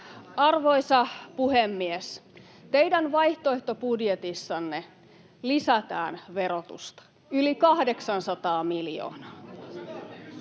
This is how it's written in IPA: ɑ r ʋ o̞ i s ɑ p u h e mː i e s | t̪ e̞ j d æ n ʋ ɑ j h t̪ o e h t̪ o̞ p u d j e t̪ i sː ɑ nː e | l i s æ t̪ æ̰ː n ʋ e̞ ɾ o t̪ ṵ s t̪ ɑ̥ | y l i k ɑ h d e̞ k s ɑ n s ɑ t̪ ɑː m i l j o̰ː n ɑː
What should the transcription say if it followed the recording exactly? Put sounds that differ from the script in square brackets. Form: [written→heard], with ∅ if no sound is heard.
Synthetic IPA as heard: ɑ r ʋ o̞ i s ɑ p u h e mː i e s | t̪ e̞ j d æ n ʋ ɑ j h t̪ o e h t̪ o̞ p u d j e t̪ i sː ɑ nː e | l i s æ t̪ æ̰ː n ʋ e̞ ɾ o t̪ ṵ s t̪ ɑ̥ | y l i k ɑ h d e̞ k s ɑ n s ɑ t̪ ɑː m i l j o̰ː n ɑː